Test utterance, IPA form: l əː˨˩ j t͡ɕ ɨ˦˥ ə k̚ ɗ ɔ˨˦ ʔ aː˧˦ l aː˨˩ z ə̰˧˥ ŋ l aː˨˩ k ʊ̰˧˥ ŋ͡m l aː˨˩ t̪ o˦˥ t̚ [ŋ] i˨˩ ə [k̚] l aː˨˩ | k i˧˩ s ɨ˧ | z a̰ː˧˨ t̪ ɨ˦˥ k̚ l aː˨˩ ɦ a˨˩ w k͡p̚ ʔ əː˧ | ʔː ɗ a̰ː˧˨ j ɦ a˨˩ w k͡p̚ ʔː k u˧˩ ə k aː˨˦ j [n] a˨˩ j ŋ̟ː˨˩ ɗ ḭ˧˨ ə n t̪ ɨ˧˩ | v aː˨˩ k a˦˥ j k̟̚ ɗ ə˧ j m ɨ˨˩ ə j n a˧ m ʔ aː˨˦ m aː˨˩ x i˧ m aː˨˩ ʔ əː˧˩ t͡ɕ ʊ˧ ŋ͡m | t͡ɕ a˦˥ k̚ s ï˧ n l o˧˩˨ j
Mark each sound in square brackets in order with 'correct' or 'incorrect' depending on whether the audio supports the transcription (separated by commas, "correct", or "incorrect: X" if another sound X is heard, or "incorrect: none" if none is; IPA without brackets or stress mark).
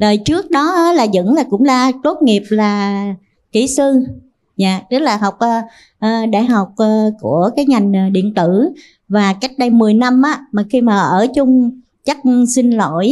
correct, incorrect: p̚, incorrect: ŋ